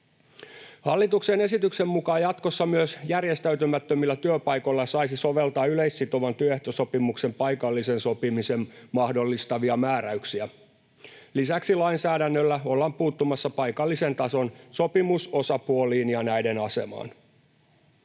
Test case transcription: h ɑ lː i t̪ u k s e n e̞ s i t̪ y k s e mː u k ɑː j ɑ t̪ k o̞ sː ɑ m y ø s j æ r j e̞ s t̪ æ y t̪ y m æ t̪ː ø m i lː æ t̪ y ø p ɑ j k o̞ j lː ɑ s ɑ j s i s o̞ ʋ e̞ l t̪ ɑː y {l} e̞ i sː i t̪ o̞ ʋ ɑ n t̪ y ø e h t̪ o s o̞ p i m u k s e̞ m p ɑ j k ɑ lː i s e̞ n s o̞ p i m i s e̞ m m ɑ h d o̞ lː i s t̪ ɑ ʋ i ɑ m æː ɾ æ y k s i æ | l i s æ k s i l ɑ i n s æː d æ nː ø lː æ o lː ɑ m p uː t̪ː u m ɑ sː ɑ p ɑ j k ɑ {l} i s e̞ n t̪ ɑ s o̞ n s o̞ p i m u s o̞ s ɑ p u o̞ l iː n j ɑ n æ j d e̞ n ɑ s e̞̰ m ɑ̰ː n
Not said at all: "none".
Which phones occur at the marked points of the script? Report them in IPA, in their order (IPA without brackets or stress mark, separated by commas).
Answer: l, lː